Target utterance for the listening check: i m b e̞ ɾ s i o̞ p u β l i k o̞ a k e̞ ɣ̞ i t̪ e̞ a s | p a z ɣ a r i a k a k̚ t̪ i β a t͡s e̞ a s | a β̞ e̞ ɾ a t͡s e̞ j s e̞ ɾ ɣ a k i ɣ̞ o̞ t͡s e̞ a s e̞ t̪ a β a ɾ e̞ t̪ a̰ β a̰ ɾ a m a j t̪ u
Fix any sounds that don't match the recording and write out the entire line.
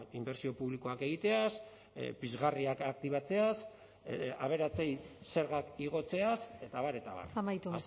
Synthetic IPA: i m b e̞ ɾ s i o̞ p u β l i k o̞ a k e̞ ɣ̞ i t̪ e̞ a s | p i z ɣ a r i a k a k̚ t̪ i β a t͡s e̞ a s | a β̞ e̞ ɾ a t͡s e̞ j s e̞ ɾ ɣ a k i ɣ̞ o̞ t͡s e̞ a s e̞ t̪ a β a ɾ e̞ t̪ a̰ β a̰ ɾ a m a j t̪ u